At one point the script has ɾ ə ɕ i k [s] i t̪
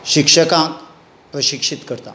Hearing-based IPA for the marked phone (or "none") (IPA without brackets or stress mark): ʂ